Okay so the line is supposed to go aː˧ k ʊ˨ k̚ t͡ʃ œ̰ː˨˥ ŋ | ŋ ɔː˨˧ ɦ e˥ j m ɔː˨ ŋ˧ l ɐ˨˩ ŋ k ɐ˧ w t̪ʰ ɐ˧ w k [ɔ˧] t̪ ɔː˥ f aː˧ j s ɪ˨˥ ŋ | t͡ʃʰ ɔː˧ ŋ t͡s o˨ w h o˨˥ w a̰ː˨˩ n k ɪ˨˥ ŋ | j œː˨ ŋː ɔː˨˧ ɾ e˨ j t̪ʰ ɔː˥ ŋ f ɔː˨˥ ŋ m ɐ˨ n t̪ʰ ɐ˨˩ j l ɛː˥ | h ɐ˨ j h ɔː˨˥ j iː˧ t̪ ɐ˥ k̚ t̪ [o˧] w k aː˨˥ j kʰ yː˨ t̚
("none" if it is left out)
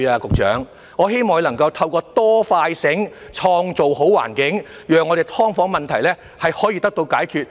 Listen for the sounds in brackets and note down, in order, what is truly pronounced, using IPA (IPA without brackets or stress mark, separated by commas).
ɔː˧, o˧